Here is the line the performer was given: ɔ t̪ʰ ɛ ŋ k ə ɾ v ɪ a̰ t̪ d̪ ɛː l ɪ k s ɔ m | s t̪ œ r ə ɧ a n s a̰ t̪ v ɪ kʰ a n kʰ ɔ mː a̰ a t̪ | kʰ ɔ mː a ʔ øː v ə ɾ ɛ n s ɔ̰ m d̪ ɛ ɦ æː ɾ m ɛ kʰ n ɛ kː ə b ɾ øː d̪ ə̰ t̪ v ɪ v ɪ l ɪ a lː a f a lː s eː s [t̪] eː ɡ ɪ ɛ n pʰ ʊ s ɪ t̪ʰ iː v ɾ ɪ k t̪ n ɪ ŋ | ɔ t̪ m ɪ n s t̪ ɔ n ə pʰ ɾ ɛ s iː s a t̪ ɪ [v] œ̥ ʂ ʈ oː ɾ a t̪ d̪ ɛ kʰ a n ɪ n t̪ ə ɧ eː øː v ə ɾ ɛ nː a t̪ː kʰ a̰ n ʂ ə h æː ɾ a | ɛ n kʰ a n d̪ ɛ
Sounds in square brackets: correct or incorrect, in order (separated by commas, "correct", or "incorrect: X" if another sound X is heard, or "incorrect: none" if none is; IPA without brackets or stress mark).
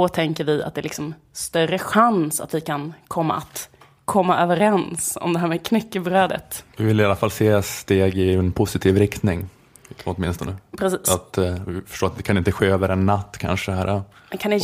correct, incorrect: f